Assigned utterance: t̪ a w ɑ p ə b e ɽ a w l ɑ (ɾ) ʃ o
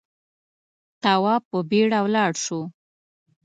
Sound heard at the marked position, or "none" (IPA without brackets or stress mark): ɽ